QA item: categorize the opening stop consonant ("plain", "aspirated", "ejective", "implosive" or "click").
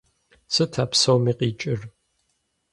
aspirated